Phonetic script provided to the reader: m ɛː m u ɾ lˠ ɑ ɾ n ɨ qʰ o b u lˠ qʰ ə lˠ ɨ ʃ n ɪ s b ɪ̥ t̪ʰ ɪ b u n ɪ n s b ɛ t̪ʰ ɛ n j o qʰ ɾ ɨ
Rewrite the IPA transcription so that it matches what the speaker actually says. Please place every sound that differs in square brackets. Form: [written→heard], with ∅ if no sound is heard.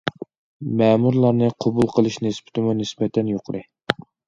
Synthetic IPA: m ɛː m u ɾ lˠ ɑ ɾ n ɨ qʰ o b u lˠ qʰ ə lˠ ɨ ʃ n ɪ s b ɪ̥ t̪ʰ ɪ [b→m] u n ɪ [n→∅] s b ɛ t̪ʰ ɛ n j o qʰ ɾ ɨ